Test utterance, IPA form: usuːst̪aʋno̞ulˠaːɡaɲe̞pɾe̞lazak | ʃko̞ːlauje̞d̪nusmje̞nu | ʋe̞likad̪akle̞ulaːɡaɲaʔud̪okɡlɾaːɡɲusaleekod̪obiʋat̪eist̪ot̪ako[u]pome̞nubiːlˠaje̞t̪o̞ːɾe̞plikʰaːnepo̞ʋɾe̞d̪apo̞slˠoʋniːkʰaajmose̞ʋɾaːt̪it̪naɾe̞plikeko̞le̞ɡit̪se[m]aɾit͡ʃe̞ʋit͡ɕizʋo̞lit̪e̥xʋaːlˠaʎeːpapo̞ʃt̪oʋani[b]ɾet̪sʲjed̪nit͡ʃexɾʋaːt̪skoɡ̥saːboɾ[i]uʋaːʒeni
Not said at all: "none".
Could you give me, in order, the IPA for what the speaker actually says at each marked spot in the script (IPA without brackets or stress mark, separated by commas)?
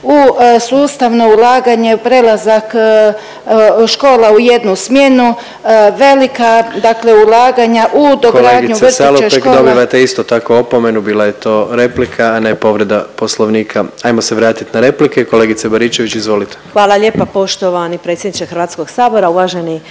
o, b, p, a